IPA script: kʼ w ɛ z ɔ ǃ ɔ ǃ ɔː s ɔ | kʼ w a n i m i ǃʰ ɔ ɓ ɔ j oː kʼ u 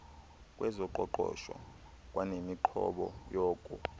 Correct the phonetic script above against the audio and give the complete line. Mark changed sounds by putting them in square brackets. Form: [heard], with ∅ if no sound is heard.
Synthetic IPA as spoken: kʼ w ɛ z ɔ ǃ ɔ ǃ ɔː [ʃ] ɔ | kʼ w a n [e] m i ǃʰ ɔ ɓ ɔ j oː kʼ u